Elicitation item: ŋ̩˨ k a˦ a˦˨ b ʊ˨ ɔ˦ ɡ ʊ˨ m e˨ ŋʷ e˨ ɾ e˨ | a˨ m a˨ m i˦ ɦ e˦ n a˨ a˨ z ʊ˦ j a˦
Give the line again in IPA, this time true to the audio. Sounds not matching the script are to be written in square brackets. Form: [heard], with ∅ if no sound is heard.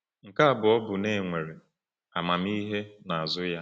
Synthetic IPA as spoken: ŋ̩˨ k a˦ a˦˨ b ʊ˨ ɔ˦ [b] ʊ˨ [n] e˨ ŋʷ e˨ ɾ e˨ | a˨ m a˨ m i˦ ɦ e˦ n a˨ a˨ z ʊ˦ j a˦